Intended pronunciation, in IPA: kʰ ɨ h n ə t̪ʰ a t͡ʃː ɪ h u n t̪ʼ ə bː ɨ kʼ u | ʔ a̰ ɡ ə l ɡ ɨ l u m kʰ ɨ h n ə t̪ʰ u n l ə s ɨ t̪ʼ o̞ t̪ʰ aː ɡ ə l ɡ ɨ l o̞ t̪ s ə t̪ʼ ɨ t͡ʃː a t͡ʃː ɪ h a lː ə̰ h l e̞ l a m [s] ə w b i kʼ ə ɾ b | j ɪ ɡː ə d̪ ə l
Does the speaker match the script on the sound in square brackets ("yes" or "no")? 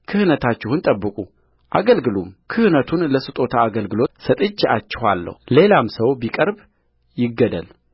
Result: yes